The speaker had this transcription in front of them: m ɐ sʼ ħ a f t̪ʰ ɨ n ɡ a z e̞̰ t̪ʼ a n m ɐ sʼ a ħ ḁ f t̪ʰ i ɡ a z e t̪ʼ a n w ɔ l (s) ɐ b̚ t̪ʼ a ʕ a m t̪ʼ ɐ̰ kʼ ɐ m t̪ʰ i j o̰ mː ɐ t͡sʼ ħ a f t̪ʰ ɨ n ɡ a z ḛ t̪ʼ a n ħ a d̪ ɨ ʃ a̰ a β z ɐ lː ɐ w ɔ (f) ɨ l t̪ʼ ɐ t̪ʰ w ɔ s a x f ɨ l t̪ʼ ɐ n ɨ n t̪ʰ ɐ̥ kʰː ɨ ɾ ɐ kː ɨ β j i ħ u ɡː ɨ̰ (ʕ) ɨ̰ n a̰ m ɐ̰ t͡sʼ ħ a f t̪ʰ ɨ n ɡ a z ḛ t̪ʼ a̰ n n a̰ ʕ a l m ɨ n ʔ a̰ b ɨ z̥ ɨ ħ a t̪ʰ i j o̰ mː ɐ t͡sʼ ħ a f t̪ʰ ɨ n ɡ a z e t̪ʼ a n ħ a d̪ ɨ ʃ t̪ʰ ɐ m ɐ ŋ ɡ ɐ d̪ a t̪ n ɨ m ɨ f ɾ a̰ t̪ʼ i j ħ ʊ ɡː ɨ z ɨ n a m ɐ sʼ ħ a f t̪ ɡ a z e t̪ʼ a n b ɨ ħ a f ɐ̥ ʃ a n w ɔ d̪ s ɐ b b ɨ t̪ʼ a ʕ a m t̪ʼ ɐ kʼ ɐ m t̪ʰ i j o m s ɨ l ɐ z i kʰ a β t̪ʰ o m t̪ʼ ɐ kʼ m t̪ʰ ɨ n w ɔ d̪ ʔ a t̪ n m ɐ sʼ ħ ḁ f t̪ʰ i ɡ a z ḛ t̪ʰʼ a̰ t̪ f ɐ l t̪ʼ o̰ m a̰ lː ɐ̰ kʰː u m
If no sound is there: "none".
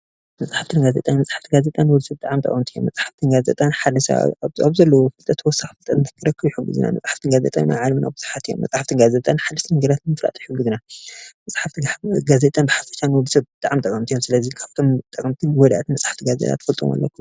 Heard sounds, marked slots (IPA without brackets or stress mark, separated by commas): s, f, z